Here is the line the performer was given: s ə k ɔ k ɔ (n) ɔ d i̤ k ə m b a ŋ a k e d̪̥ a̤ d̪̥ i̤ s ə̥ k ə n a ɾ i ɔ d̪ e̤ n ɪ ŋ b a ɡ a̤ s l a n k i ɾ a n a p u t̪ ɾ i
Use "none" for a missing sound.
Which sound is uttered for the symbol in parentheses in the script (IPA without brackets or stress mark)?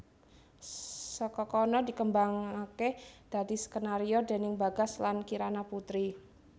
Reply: n